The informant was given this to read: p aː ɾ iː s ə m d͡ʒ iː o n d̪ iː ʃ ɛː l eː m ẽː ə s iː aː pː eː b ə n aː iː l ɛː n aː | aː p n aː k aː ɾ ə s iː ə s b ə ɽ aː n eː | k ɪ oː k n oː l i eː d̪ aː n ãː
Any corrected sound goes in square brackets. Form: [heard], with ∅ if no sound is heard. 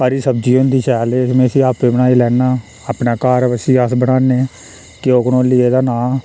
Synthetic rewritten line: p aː ɾ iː s ə [b] d͡ʒ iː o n d̪ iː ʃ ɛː l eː m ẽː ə s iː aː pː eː b ə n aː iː l ɛː n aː | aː p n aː k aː ɾ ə s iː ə s b ə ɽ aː n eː | k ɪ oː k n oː l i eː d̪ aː n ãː